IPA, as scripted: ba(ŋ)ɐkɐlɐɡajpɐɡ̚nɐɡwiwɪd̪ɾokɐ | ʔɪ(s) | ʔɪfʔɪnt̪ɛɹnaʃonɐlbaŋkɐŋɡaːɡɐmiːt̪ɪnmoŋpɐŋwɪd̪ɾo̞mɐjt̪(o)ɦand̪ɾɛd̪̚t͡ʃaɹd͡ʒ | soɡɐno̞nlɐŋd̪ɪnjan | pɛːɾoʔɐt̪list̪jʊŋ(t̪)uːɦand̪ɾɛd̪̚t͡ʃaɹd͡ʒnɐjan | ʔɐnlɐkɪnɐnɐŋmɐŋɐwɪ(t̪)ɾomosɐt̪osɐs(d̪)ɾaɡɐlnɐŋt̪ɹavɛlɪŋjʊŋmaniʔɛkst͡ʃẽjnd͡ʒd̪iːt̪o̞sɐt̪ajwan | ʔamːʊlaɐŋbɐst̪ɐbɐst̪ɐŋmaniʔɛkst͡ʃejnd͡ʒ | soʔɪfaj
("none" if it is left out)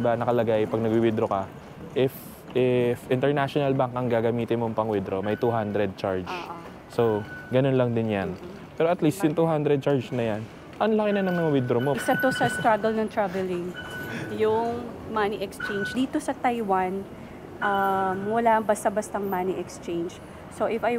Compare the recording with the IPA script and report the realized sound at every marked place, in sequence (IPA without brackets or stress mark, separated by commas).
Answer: n, f, u, t̪, d̪, t̪